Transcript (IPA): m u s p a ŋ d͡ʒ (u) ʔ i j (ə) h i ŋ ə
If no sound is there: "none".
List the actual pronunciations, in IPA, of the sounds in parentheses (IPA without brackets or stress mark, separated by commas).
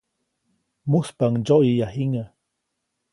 o, a